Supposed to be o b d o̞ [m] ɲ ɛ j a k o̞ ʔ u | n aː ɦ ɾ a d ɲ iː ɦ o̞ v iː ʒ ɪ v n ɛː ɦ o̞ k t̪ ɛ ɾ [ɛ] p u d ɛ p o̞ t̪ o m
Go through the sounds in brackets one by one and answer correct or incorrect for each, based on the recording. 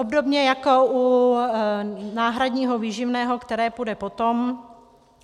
incorrect: b, incorrect: ɛː

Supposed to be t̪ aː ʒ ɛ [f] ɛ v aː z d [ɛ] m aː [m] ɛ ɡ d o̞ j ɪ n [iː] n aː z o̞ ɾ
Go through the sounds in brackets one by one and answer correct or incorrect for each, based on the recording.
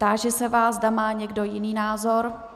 incorrect: s, incorrect: a, incorrect: ɲ, correct

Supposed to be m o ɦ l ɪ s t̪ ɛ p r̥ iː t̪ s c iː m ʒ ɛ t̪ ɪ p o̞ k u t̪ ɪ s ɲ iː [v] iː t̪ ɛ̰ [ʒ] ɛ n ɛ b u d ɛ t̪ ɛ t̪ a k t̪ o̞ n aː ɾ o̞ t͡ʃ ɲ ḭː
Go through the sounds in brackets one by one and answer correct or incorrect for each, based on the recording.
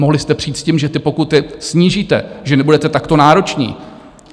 incorrect: ʒ, correct

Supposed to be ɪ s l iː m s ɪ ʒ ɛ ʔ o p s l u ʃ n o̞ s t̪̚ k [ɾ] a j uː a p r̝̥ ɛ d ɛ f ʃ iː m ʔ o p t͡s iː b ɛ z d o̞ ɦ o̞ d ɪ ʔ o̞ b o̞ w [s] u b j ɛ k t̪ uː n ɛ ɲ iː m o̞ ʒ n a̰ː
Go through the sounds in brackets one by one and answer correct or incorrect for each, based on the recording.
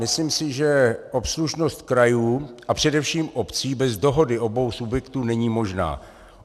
correct, correct

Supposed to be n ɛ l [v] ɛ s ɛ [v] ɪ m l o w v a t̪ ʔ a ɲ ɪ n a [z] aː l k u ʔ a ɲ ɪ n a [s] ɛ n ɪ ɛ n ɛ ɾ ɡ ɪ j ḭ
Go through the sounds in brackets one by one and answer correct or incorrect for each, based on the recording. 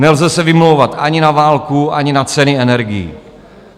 incorrect: z, correct, incorrect: v, incorrect: t͡s

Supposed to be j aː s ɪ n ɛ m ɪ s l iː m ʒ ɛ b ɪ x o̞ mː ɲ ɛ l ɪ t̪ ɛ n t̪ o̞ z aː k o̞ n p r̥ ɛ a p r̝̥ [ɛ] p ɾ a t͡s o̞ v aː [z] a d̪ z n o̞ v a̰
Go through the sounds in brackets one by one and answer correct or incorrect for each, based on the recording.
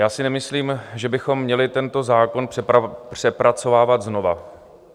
correct, incorrect: v

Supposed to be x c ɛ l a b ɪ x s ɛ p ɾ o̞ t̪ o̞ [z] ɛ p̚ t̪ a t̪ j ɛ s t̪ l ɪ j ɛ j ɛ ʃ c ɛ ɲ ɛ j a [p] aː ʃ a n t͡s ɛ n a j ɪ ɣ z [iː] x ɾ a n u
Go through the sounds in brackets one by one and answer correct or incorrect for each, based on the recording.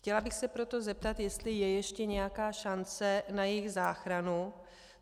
correct, incorrect: k, incorrect: aː

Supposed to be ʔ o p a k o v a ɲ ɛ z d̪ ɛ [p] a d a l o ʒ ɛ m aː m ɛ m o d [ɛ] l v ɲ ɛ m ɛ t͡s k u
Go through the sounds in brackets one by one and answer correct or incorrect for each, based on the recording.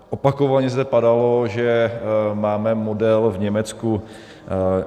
correct, correct

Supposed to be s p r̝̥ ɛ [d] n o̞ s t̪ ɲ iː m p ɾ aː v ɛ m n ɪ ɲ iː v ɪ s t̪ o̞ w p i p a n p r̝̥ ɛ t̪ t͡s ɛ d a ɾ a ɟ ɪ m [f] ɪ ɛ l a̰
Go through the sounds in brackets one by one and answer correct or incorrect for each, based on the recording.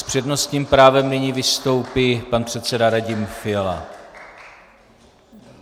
correct, correct

